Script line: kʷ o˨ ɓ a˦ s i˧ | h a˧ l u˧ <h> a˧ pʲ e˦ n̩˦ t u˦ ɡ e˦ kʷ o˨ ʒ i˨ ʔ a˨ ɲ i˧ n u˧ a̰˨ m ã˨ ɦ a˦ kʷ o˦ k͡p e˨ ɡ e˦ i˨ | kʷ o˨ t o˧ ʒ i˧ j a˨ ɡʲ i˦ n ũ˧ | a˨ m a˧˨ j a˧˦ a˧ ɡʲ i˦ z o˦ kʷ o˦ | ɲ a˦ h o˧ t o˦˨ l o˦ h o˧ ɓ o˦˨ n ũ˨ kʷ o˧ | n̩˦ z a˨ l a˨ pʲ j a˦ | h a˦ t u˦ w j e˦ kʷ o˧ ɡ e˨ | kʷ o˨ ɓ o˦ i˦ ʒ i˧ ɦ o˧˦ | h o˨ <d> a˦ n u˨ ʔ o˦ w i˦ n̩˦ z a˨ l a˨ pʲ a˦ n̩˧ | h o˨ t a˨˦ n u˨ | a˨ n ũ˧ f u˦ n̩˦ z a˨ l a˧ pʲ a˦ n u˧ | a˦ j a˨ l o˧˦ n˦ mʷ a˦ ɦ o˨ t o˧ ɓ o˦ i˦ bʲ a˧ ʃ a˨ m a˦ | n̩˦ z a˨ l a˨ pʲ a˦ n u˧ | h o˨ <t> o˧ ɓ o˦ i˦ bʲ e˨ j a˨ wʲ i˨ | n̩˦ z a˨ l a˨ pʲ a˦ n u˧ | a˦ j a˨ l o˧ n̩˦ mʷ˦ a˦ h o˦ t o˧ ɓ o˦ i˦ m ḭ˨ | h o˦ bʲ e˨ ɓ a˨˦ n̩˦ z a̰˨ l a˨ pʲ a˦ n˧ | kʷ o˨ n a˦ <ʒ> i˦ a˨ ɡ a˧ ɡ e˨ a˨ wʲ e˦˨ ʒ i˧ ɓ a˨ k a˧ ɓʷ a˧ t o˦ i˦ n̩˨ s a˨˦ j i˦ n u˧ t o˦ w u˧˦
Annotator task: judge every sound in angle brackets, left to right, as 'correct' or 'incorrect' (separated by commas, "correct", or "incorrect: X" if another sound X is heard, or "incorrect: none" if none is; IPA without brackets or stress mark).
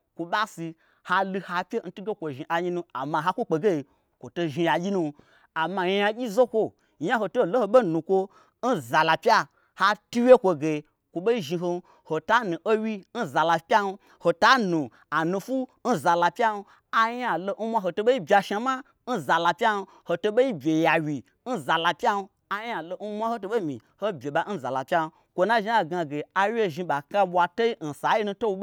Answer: correct, incorrect: t, correct, correct